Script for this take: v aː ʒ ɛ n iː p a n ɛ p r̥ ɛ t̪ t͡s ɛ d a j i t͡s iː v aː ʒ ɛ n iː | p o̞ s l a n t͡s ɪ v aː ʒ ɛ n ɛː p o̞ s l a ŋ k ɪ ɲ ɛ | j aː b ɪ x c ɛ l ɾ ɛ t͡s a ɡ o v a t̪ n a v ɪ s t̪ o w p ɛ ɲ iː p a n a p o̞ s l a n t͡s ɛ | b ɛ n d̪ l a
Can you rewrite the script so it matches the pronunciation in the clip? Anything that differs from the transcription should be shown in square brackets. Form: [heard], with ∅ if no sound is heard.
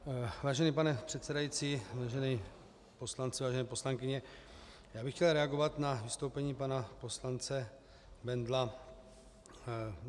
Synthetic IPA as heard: v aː ʒ ɛ n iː p a n ɛ p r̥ ɛ t̪ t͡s ɛ d a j i t͡s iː v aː ʒ ɛ n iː | p o̞ s l a n t͡s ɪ v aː ʒ ɛ n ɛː p o̞ s l a ŋ k ɪ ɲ ɛ | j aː b ɪ x c ɛ l ɾ ɛ [∅] a ɡ o v a t̪ n a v ɪ s t̪ o w p ɛ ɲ iː p a n a p o̞ s l a n t͡s ɛ | b ɛ n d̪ l a